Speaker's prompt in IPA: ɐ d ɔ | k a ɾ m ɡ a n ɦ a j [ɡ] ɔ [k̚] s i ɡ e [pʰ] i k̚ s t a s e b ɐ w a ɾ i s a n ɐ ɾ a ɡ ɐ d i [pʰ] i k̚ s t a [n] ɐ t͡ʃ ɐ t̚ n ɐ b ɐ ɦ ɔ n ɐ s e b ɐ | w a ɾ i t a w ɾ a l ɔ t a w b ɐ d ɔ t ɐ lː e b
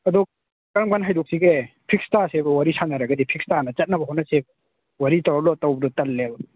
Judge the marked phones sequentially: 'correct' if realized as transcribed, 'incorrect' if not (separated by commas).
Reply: incorrect, correct, correct, correct, correct